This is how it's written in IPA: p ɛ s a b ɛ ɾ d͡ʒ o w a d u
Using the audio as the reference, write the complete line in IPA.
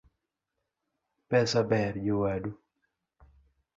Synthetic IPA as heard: p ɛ s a b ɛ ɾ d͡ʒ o w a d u